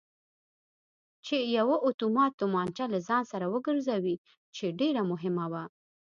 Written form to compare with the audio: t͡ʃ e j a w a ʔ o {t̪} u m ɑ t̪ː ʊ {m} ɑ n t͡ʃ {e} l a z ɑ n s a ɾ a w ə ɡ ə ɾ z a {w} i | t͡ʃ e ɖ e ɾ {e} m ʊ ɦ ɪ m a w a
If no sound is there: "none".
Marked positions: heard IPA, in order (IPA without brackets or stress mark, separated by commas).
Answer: t̪, m, a, w, a